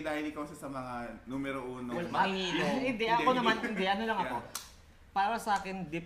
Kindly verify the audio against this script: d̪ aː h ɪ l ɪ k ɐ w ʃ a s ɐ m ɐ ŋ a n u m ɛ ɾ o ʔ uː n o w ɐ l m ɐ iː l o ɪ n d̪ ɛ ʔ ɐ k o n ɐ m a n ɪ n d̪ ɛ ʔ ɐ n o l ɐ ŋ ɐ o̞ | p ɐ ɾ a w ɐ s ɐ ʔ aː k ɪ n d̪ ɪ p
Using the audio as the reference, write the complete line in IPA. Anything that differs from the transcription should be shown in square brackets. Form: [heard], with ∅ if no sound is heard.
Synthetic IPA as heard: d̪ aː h ɪ l ɪ k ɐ w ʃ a s ɐ m ɐ ŋ a n u m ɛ ɾ o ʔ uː n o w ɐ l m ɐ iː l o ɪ n d̪ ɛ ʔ ɐ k o n ɐ m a n ɪ n d̪ ɛ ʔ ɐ n o l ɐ ŋ ɐ o̞ | p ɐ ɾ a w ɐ s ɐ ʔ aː k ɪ n d̪ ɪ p